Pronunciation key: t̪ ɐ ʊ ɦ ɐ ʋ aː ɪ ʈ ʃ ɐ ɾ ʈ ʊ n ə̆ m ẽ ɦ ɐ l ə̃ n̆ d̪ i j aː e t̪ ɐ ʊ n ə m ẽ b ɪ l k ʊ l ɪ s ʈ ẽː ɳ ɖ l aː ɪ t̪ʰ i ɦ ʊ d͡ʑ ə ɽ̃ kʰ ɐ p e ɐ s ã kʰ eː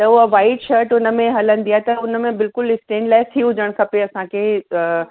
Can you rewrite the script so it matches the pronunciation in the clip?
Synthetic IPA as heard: t̪ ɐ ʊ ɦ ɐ ʋ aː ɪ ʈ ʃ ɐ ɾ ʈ ʊ n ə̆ m ẽ ɦ ɐ l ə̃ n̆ d̪ i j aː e t̪ ɐ ʊ n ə m ẽ b ɪ l k ʊ l ɪ s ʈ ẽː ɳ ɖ l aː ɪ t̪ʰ i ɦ ʊ d͡ʑ ə ɽ̃ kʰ ɐ p e ɐ s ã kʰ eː